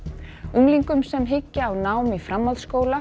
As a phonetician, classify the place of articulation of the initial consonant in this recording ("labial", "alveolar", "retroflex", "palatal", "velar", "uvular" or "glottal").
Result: velar